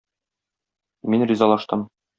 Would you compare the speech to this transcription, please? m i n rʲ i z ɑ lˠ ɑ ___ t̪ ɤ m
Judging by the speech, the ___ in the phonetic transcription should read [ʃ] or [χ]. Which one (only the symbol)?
ʃ